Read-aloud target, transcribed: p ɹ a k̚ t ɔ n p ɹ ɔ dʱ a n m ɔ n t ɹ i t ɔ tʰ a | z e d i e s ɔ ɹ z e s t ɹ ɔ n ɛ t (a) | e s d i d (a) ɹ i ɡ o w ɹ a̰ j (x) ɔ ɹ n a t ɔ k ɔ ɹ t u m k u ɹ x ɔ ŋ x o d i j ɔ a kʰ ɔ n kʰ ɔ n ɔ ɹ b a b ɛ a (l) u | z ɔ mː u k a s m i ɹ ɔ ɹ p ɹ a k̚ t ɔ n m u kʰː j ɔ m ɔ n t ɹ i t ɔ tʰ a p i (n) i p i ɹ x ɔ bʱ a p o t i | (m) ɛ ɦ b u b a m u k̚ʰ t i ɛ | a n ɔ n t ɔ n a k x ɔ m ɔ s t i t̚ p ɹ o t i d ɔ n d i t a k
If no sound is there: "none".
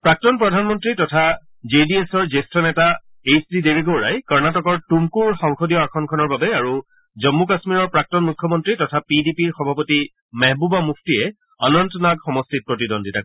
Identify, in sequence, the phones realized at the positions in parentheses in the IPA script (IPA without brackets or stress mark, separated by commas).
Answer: a, e, k, ɹ, d, m